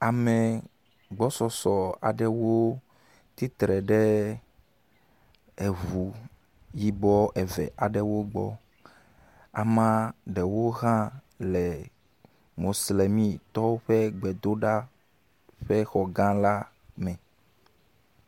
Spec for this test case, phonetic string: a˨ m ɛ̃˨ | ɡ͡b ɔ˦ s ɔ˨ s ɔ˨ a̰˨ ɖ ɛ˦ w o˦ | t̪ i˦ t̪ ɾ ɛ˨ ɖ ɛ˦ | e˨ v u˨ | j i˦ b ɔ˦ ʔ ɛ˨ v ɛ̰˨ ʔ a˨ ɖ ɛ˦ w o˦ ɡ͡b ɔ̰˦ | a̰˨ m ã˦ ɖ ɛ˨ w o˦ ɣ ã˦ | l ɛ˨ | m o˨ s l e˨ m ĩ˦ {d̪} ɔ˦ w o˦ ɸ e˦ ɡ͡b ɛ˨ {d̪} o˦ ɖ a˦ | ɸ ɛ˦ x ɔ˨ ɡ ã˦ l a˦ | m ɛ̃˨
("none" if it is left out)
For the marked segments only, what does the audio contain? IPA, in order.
t̪, d̪

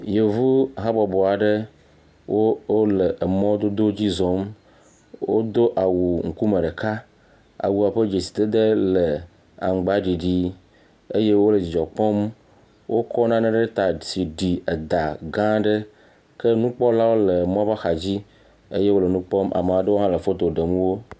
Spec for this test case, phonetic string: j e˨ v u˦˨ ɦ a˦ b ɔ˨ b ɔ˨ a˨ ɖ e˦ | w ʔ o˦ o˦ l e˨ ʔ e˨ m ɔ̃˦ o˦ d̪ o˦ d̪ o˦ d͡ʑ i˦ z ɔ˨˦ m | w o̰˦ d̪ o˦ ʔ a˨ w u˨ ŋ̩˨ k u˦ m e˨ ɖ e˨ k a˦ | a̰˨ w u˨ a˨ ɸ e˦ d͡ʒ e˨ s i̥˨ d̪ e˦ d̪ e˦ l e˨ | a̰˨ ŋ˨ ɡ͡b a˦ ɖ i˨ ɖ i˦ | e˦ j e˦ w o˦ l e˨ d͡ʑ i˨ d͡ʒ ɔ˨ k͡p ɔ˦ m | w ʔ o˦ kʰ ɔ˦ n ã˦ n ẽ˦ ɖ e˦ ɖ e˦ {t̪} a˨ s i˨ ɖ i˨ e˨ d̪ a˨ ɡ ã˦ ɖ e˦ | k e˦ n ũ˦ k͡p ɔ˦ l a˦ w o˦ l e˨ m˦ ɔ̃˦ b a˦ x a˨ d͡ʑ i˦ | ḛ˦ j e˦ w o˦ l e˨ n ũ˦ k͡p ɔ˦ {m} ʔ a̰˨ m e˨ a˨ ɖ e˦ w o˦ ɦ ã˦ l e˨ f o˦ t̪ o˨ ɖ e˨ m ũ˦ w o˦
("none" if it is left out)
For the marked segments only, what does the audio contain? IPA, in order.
t̪, m

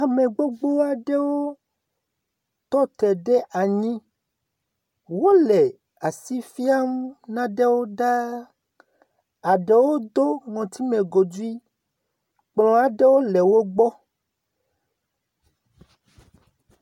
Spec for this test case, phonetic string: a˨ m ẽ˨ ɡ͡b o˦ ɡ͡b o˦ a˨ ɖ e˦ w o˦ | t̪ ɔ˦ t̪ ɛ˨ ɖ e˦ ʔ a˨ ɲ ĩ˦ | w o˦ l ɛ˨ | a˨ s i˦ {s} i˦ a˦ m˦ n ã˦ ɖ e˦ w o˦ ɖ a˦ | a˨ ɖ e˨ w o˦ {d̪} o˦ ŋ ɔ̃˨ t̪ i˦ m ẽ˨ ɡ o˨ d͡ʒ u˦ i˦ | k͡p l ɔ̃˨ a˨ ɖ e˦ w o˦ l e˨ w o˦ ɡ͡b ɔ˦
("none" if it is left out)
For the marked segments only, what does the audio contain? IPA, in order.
f, d̪

